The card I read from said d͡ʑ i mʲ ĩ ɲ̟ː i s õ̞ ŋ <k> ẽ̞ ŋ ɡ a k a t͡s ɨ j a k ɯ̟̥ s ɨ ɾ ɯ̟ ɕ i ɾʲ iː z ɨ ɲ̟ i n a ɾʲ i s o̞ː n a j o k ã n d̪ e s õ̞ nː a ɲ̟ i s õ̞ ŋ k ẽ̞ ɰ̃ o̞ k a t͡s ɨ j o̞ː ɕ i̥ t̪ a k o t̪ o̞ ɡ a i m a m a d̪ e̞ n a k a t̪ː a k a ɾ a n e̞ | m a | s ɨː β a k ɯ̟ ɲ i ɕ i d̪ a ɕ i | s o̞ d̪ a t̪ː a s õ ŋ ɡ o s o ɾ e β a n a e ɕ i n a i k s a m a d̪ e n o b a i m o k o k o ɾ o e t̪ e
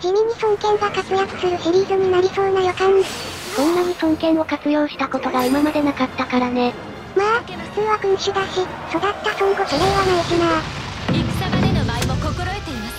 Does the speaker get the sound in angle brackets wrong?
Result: no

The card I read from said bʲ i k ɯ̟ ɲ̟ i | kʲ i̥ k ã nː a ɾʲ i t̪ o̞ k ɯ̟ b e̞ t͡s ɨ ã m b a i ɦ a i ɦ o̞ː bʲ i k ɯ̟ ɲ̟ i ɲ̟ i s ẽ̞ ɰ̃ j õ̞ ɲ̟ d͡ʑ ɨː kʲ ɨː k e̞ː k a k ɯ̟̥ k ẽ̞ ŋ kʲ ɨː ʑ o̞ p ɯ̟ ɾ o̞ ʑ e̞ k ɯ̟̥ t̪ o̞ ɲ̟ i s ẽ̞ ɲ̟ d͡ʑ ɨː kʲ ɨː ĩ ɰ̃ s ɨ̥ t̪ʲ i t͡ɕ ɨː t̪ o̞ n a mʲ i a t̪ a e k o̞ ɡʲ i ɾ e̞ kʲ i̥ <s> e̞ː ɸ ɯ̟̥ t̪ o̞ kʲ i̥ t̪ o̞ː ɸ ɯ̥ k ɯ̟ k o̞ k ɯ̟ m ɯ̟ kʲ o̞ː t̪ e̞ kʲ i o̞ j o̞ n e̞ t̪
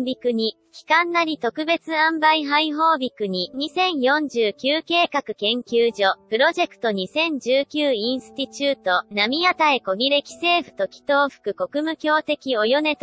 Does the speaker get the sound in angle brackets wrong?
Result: no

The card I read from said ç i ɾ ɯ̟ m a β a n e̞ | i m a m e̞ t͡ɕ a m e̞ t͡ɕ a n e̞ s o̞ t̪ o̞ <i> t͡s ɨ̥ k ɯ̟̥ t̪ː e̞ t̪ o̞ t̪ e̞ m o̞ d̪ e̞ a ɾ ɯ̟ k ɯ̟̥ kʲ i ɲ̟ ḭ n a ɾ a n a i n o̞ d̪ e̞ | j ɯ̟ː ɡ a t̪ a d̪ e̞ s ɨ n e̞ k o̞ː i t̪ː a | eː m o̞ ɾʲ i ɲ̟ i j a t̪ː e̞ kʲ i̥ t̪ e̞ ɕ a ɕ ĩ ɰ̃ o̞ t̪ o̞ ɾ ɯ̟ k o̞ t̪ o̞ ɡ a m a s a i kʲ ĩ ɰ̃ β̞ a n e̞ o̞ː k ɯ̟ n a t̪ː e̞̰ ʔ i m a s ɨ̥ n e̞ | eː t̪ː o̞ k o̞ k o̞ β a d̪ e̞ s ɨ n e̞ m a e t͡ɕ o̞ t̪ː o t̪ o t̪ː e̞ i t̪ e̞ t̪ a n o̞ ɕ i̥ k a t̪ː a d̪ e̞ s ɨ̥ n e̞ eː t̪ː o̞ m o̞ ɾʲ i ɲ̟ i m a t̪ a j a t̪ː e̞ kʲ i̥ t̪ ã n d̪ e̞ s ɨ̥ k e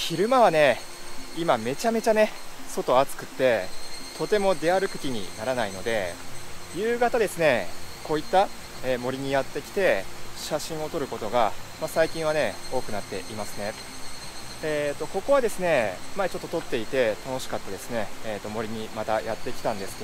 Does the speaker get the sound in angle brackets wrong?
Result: yes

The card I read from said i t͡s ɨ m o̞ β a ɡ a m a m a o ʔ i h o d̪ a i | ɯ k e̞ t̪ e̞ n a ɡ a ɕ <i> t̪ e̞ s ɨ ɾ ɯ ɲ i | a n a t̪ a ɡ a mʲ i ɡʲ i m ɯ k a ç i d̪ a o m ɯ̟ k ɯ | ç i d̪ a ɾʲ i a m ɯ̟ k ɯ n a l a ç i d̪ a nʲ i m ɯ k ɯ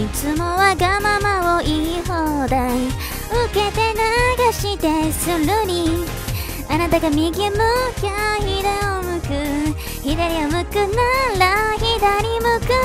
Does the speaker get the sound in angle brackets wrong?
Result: no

